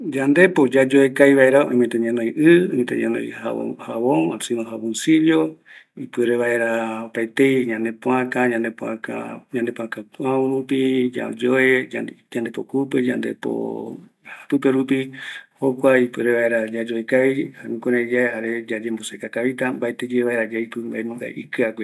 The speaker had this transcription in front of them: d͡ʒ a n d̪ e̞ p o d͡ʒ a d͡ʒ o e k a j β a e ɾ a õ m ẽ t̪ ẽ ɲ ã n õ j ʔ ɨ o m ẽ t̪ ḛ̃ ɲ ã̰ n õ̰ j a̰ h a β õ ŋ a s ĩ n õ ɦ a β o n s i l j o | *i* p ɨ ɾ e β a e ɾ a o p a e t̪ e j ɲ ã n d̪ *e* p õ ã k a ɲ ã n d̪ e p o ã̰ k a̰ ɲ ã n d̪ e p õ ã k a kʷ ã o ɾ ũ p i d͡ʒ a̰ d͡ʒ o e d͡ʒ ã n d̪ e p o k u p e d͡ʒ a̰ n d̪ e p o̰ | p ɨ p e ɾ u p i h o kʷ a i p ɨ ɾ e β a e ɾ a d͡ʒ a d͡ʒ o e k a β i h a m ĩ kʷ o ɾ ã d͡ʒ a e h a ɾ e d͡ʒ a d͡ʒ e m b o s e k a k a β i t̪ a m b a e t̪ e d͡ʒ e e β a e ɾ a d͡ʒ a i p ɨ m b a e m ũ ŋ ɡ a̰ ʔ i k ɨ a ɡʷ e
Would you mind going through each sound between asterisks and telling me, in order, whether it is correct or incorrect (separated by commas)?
correct, correct